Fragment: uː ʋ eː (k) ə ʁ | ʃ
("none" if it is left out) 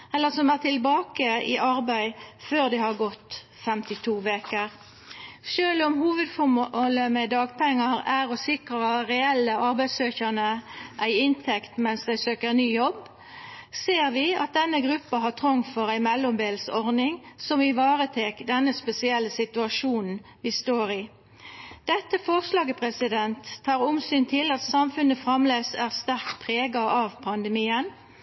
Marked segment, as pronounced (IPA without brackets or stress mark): k